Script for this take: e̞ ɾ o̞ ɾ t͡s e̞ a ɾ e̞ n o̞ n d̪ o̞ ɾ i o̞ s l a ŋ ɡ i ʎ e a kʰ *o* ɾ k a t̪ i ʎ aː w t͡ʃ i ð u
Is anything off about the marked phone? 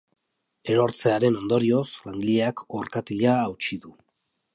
no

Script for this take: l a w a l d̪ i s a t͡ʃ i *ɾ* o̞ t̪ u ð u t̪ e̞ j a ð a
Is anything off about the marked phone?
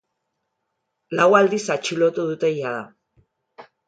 yes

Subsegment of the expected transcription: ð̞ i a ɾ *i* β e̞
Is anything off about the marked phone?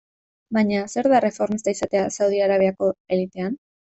yes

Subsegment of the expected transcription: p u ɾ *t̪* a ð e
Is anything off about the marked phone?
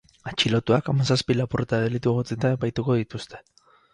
no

